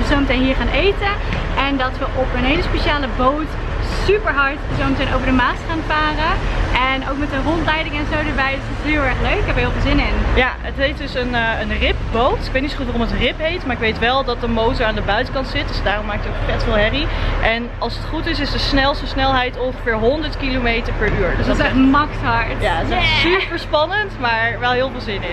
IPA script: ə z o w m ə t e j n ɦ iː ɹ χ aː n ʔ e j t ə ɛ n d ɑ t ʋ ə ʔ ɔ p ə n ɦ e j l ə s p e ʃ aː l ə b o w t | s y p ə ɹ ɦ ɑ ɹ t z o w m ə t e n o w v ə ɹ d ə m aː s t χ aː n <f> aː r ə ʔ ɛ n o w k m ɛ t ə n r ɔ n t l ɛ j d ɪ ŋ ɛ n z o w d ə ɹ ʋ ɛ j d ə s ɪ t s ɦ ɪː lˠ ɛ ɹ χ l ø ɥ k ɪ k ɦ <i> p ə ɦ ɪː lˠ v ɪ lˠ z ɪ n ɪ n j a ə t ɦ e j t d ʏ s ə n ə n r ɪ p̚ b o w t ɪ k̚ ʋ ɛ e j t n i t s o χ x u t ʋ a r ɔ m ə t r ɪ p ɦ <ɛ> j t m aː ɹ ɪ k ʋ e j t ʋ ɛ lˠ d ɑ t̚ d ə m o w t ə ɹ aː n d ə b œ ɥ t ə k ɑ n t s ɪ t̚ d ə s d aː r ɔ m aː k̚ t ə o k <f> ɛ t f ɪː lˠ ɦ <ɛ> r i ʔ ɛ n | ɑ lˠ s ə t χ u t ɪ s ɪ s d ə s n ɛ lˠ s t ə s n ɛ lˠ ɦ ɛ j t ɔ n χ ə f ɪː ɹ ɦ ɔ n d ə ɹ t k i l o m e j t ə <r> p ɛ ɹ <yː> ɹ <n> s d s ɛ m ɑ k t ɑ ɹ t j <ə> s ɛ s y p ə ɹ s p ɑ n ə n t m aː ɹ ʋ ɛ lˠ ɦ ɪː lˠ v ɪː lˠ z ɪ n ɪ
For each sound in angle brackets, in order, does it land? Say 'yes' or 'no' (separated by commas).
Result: yes, no, no, yes, yes, no, yes, no, no